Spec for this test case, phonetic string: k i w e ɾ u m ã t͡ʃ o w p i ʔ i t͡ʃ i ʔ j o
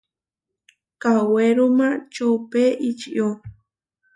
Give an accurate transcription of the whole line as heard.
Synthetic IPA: k a w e ɾ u m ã t͡ʃ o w p e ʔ i t͡ʃ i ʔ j o